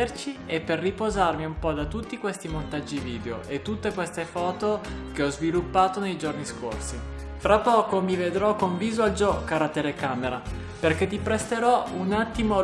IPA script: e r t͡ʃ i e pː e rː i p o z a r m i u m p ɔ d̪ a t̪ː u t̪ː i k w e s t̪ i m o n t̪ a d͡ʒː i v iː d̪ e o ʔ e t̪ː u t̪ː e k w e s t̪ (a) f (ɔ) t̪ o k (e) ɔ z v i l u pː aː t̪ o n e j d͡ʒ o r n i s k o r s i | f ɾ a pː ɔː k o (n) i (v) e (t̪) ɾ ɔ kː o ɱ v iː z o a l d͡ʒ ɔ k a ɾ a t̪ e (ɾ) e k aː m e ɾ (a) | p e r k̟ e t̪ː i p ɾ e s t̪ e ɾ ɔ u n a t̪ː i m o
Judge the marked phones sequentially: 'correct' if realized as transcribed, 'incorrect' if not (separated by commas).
incorrect, incorrect, correct, incorrect, correct, incorrect, incorrect, correct